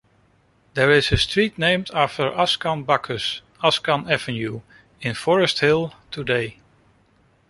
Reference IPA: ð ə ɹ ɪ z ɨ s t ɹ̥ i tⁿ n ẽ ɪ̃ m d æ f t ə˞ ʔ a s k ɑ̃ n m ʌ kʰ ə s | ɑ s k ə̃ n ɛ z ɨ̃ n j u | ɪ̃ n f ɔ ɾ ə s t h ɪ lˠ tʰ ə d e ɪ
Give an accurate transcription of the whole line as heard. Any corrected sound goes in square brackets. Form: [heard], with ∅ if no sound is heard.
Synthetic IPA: ð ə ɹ ɪ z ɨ s t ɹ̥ i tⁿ n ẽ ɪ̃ m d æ f t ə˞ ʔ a s k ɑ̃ n [b] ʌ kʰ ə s | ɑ s k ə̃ n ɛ [v] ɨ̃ n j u | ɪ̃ n f ɔ [ɹ] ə s t h ɪ lˠ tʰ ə d e ɪ